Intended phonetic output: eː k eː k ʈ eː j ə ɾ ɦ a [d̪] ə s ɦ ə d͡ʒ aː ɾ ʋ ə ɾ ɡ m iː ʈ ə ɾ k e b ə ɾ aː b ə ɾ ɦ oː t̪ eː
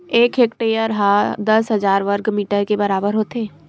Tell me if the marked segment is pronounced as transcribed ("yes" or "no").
yes